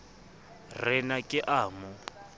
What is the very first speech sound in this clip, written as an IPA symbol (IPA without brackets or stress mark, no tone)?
r